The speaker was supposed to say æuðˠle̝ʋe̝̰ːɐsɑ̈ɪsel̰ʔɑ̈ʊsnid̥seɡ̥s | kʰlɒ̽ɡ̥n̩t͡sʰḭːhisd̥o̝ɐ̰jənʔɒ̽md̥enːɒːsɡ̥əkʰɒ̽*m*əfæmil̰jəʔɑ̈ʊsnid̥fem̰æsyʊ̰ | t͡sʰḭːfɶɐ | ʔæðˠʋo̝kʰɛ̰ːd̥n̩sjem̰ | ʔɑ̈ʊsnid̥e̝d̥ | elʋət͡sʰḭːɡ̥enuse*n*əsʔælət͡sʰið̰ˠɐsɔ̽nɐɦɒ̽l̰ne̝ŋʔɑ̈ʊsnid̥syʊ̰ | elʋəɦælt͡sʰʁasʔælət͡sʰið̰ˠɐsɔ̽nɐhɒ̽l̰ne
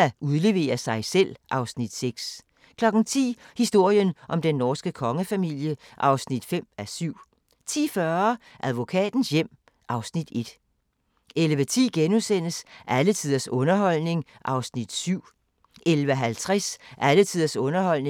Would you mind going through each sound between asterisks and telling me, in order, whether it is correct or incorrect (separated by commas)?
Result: incorrect, correct